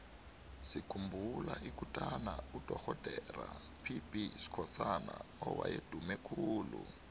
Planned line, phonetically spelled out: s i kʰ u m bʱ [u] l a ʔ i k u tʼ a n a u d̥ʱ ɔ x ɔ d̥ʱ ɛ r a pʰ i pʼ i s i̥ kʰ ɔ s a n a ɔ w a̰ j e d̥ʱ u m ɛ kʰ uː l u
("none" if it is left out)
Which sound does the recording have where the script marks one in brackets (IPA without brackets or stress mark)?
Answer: u